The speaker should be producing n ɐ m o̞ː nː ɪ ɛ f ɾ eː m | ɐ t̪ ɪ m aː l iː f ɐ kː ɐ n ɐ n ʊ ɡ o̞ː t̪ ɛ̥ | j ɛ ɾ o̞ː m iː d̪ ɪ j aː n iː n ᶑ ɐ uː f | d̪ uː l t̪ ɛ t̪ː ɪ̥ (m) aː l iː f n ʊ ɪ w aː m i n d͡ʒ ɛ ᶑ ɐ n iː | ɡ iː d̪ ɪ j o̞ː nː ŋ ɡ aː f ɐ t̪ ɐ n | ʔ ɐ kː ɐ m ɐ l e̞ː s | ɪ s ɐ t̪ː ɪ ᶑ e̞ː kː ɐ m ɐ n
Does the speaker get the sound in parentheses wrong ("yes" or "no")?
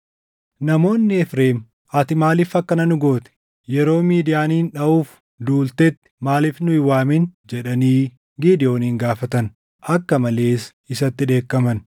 no